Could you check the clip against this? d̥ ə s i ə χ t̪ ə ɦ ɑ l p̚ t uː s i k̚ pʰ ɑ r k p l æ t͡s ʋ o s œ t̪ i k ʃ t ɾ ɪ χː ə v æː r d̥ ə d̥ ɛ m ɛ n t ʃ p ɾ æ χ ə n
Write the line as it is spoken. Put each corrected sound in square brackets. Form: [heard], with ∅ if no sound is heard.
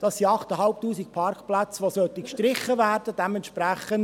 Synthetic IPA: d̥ [ɑ] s i [ɑ] χ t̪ ə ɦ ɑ l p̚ t uː s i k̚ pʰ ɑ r k p l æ t͡s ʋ o s œ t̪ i k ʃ t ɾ ɪ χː ə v æː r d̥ ə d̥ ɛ m ɛ n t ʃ p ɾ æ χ ə n